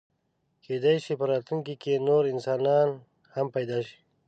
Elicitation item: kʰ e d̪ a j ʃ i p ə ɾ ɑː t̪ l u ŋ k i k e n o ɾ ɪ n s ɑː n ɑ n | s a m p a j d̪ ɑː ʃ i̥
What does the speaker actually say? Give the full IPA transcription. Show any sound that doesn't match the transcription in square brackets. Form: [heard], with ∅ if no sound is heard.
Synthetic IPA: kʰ e d̪ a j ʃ i p ə ɾ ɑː t̪ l u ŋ k i k e n o ɾ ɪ n s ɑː n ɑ n | [h] a m p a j d̪ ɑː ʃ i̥